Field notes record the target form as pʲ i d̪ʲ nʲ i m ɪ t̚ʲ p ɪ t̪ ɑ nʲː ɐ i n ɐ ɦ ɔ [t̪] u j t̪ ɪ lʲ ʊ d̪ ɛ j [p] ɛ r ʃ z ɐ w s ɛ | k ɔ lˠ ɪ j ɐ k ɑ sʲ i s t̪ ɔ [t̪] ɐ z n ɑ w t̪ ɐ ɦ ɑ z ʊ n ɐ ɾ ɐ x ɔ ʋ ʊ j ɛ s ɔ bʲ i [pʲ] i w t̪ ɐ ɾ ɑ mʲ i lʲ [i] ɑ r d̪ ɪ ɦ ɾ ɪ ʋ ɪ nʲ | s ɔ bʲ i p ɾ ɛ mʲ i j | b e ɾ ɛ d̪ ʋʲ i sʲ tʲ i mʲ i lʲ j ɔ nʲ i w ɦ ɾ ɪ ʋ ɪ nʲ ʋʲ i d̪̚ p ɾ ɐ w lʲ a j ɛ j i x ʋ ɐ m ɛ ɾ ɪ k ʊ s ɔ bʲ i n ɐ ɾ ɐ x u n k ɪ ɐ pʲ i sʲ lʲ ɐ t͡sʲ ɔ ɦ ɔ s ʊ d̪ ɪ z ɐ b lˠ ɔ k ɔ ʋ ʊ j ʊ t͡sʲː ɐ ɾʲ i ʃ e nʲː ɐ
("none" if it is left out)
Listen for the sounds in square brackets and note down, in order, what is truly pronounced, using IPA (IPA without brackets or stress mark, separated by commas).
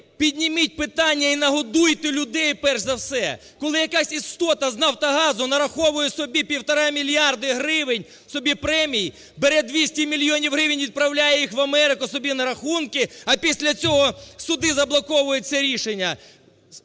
d̪, p, t̪, pʲ, j